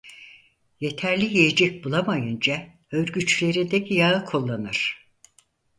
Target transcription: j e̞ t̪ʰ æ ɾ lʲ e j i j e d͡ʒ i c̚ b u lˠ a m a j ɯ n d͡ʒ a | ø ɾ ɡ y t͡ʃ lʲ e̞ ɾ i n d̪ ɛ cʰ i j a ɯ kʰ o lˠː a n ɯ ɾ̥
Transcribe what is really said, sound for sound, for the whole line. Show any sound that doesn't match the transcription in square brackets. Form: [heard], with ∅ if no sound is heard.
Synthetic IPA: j e̞ t̪ʰ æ ɾ lʲ [i] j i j e d͡ʒ [ɛ] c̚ b u lˠ a m a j ɯ n d͡ʒ a | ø ɾ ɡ y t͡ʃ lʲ e̞ ɾ i n d̪ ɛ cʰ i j a ɯ kʰ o lˠː a n ɯ ɾ̥